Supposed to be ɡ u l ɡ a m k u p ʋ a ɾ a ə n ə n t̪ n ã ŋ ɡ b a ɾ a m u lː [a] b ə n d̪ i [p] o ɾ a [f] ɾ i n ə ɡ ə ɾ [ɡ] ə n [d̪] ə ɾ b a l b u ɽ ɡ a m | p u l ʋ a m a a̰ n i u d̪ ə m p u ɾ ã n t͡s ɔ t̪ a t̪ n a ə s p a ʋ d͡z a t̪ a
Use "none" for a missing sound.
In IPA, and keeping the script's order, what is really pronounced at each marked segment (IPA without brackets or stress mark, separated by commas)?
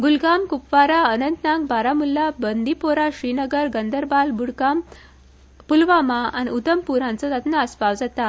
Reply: a, p, ɕ, ɡ, d̪